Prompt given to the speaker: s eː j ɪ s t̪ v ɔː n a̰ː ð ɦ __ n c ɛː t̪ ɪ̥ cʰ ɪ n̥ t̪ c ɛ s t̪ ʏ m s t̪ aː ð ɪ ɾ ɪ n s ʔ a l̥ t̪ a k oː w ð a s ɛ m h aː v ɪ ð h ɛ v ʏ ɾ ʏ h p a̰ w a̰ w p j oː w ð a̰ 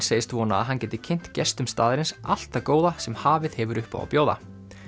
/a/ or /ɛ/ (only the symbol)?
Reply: a